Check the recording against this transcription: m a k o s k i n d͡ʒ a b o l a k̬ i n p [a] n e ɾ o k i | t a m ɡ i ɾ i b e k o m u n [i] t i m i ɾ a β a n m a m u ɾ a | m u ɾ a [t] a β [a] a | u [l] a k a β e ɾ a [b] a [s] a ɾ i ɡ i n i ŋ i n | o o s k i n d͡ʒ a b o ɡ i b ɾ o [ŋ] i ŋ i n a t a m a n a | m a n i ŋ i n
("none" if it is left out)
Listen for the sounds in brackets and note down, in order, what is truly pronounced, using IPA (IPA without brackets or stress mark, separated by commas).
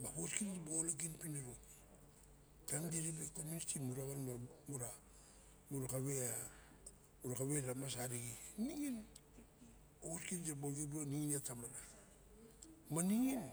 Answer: i, i, k, e, ɾ, m, s, n